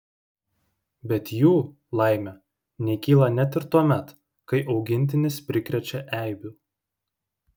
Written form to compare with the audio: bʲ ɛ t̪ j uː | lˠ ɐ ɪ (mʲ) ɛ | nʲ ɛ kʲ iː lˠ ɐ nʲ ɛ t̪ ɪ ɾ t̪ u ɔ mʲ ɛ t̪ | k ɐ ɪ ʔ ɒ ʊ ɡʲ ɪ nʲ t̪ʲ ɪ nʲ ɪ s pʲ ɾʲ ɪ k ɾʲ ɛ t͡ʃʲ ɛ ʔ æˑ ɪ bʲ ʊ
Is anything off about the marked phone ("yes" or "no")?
no